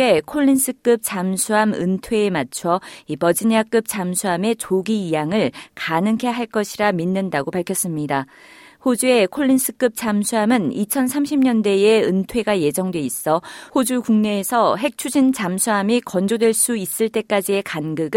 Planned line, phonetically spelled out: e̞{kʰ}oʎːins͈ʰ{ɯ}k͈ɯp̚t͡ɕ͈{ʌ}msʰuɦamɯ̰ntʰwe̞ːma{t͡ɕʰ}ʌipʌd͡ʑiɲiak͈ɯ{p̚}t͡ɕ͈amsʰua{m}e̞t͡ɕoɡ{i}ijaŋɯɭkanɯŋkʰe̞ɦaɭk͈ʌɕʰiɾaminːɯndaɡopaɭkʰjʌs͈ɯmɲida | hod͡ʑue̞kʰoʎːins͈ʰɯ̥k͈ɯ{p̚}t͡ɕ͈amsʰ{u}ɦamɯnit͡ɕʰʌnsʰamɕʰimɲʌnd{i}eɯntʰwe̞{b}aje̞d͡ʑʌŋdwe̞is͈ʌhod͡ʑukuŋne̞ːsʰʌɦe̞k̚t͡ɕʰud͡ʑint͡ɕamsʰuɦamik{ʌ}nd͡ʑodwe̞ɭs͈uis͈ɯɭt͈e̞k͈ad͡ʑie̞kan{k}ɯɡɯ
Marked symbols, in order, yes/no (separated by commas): yes, yes, no, yes, yes, yes, yes, yes, yes, no, no, yes, no